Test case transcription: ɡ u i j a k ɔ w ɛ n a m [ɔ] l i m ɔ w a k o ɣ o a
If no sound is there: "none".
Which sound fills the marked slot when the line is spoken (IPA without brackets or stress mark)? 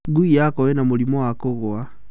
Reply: u